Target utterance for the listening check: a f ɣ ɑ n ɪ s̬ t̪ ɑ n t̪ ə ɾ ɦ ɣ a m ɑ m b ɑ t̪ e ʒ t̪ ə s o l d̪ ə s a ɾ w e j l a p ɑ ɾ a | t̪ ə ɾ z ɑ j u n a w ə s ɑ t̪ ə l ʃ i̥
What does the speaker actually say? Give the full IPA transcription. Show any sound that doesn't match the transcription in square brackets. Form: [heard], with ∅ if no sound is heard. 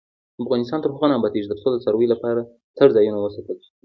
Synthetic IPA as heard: a f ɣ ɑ n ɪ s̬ t̪ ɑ n t̪ ə ɾ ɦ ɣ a [n] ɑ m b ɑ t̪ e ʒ [d̪] ə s o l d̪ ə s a ɾ w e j l a p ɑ ɾ a | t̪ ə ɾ z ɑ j u n a w ə s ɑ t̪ ə l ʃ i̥